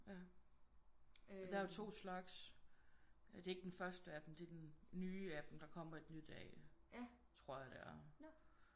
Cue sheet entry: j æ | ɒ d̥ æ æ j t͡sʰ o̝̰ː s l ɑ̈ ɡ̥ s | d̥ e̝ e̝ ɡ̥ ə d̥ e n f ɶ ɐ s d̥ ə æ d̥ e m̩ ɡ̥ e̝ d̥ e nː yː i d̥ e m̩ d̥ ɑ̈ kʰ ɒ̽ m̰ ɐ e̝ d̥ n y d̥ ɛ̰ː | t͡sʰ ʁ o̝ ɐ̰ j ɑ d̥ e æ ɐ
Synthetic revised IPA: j æ | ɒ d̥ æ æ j t͡sʰ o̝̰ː s l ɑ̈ ɡ̥ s | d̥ e̝ e̝ ɡ̥ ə d̥ e n f ɶ ɐ s d̥ ə æ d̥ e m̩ d̥ e̝ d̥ e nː yː æ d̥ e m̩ d̥ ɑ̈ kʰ ɒ̽ m̰ ɐ e̝ d̥ n y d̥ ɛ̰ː | t͡sʰ ʁ o̝ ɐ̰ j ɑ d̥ e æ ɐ